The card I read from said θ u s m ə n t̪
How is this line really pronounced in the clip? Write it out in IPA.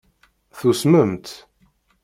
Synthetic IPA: θ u s m ə m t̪